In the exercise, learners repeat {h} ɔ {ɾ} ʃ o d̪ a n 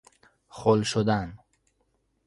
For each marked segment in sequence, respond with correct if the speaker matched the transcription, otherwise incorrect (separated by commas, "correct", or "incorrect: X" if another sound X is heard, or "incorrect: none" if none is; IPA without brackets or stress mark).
incorrect: χ, incorrect: l